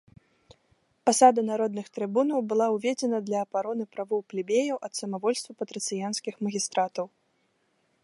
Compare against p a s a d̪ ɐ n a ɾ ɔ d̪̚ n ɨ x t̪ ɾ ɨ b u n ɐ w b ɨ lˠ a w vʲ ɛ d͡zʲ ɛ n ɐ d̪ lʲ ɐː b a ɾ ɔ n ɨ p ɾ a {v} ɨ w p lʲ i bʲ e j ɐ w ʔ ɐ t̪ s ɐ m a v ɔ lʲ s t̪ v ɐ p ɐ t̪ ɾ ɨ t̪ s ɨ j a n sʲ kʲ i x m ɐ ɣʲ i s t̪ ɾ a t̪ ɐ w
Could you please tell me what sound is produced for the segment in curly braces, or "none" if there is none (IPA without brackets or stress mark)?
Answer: v